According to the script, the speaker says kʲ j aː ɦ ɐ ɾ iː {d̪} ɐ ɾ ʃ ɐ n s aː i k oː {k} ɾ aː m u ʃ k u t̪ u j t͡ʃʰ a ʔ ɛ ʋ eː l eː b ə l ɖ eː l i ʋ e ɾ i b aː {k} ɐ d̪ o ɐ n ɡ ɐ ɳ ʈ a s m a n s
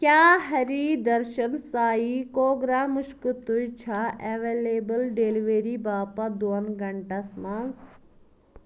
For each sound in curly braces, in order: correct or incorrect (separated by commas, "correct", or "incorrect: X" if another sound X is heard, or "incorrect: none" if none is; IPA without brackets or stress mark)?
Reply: correct, incorrect: ɡ, incorrect: p